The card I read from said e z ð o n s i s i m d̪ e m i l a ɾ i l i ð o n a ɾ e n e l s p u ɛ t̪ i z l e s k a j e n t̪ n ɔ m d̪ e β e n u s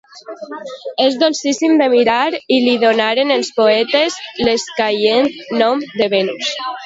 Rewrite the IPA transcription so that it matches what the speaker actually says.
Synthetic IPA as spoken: e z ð o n s i s i m d̪ e m i ɾ a ɾ i l i ð o n a ɾ e n e l s p o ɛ t̪ e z l e s k a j e n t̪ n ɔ m d̪ e β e n u s